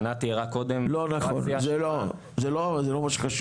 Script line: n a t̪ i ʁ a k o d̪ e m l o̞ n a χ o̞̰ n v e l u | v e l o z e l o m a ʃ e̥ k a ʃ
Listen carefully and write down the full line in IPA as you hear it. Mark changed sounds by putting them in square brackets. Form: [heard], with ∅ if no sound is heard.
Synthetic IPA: n a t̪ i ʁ a k o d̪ e m l o̞ n a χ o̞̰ n [z] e l [o] | [z] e l o z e l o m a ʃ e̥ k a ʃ